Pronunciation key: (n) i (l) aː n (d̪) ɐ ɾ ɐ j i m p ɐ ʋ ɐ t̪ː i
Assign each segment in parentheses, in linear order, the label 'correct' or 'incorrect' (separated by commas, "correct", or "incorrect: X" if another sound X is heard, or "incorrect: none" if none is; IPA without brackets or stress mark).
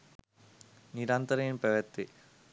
correct, incorrect: ɾ, incorrect: t̪